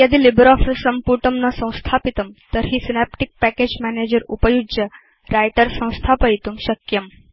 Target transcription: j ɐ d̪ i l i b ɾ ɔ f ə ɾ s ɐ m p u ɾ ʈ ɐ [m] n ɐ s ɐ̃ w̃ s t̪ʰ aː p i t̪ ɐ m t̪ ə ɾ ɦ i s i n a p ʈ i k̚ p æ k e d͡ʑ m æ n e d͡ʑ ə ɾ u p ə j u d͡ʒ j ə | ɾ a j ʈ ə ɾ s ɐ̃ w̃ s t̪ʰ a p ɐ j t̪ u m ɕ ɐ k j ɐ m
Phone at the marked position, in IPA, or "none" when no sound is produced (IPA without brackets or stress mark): m